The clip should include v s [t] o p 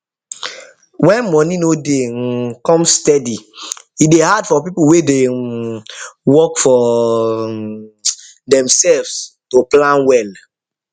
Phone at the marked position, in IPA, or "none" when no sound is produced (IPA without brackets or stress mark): t